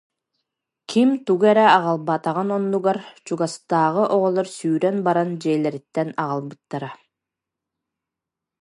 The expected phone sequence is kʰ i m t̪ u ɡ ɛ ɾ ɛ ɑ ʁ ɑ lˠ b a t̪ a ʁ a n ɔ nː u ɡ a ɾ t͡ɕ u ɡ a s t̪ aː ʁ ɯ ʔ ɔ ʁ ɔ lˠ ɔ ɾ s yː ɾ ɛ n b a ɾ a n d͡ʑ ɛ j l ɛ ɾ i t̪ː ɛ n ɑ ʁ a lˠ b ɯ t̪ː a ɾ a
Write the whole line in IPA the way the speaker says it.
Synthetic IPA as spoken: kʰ i m t̪ u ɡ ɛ ɾ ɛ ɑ ʁ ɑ lˠ b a t̪ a ʁ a n ɔ nː u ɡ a ɾ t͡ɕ u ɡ a s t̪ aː ʁ ɯ ʔ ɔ ʁ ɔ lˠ ɔ ɾ s yː ɾ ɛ n b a ɾ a n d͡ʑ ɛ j l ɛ ɾ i t̪ː ɛ n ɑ ʁ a lˠ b ɯ t̪ː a ɾ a